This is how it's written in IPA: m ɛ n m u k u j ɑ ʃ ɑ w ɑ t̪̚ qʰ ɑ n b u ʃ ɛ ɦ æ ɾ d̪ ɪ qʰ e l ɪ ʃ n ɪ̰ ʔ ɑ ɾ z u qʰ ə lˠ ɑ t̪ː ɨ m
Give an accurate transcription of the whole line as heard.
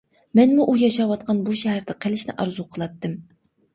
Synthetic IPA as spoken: m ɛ n m u ʔ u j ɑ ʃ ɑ w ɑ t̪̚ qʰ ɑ n b u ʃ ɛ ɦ æ ɾ d̪ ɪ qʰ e l ɪ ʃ n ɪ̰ ʔ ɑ ɾ z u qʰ ə lˠ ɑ t̪ː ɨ m